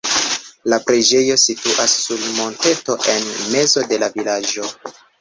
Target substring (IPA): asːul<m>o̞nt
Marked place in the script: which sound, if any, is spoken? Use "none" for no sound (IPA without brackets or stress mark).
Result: m